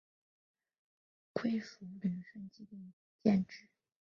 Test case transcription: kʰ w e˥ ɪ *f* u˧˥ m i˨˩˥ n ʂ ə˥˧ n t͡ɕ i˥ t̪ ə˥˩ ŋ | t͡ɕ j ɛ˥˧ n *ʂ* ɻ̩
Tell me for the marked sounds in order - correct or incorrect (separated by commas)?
correct, incorrect